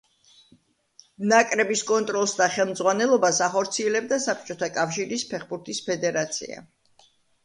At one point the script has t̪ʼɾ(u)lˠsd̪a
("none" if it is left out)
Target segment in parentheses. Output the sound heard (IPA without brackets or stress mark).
ɔ